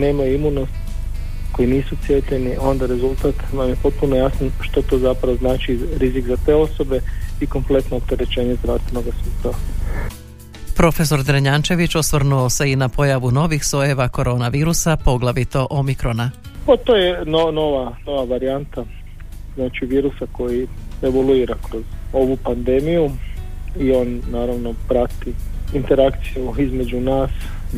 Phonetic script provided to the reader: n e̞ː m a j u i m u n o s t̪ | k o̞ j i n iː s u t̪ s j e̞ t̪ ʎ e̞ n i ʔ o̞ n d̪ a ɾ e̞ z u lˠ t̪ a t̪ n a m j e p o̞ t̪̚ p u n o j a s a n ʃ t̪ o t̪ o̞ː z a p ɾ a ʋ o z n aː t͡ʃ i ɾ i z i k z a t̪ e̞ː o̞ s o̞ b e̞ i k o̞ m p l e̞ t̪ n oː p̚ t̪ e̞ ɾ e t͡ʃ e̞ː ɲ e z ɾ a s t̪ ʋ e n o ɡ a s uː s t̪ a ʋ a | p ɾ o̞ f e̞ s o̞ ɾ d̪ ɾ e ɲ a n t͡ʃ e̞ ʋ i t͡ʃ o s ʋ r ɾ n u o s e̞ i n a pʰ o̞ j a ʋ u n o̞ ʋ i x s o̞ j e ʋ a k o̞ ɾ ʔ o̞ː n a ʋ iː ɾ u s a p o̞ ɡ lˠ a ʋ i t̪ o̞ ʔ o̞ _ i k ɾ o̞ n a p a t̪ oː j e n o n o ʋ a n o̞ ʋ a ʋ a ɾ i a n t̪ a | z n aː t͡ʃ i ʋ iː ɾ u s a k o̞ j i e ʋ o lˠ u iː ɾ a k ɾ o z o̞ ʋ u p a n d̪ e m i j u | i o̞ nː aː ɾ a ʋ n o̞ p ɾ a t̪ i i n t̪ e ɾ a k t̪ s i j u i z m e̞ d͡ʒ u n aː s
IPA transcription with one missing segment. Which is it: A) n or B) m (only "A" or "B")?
B